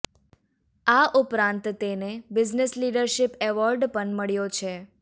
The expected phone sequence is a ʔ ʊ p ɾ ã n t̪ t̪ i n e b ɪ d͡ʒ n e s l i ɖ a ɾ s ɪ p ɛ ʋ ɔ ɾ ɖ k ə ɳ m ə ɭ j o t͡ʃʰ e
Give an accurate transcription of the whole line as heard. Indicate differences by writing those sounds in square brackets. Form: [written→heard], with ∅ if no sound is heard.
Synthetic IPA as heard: a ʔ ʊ p ɾ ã n t̪ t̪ [i→e] n e b ɪ d͡ʒ n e s l i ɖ [a→ə] ɾ [s→ʃ] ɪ p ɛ ʋ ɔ ɾ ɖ [k→p] ə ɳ m ə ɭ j o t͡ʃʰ e